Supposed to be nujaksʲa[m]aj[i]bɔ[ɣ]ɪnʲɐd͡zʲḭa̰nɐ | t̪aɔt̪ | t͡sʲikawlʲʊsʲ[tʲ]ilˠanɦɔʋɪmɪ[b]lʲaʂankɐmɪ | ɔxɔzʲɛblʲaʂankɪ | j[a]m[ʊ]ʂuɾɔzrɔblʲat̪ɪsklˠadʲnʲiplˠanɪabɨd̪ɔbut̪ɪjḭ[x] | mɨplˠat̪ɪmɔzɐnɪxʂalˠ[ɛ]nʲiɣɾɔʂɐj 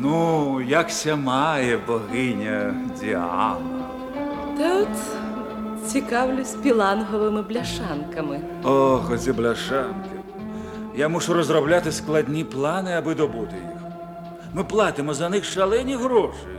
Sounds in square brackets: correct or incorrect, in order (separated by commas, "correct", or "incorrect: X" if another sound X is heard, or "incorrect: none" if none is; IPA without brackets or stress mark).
correct, incorrect: ɛ, correct, incorrect: pʲ, correct, correct, incorrect: u, correct, correct